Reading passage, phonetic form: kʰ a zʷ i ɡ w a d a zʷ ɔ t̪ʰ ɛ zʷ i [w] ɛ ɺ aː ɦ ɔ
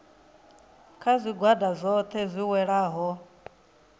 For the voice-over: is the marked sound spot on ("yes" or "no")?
yes